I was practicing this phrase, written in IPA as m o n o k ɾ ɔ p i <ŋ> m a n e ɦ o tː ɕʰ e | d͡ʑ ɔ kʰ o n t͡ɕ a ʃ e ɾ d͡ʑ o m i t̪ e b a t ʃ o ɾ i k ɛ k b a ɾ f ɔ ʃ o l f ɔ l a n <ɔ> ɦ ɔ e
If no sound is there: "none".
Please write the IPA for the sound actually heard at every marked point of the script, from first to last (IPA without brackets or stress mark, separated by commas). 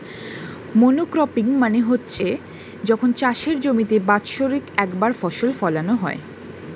ŋ, o